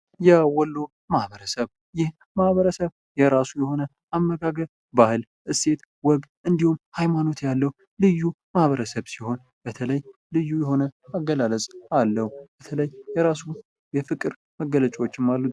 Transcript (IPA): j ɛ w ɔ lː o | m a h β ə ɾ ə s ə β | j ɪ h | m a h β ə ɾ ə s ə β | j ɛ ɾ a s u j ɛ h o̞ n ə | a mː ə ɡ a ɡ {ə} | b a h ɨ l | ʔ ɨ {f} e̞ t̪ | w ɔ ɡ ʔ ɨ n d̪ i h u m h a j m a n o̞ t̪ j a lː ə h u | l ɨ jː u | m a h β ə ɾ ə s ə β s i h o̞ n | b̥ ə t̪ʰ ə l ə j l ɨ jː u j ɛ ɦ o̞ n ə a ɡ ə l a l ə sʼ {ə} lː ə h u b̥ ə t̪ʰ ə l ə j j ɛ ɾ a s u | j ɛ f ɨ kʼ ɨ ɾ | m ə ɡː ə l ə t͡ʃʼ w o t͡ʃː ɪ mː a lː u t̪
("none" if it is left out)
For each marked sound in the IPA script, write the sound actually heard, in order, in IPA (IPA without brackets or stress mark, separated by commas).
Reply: ə, s, a